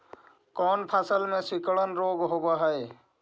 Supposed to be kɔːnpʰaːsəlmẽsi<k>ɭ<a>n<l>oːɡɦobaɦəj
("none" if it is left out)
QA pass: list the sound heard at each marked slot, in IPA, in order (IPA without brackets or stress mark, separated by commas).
k, ə, ɾ